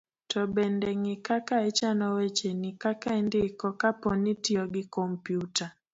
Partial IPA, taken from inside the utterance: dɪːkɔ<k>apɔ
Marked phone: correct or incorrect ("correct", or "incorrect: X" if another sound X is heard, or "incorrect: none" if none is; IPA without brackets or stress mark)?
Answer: correct